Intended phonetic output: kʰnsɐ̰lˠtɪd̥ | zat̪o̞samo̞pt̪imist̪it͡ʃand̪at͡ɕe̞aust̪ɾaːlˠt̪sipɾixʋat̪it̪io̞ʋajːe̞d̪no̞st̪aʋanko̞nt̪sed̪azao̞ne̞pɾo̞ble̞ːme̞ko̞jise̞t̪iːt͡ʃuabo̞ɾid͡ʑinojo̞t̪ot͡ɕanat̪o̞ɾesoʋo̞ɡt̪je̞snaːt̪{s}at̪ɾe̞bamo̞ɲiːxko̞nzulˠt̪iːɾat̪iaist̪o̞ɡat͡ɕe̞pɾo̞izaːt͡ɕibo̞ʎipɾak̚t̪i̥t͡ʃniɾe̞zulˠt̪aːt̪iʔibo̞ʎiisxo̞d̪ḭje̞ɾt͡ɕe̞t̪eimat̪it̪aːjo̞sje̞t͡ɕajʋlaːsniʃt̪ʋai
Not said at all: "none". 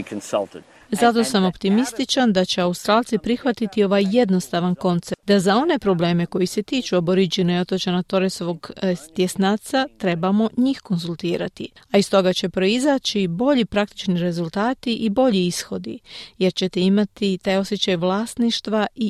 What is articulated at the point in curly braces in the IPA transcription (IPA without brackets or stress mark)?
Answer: s